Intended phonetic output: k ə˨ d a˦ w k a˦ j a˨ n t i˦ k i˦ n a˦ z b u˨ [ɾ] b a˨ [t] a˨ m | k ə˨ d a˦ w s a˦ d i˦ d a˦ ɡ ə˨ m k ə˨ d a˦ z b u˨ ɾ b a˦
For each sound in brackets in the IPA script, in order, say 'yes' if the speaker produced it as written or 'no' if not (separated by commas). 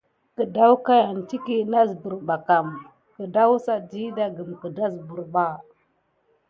yes, no